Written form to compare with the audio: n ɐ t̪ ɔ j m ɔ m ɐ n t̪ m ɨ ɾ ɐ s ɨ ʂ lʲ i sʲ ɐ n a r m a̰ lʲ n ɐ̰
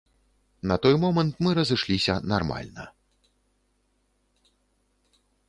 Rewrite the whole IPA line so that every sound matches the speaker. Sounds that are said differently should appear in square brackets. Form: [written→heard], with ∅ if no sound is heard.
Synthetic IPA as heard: n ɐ t̪ ɔ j m ɔ m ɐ n t̪ m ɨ ɾ ɐ [s→z] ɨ ʂ lʲ i sʲ ɐ n a r m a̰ lʲ n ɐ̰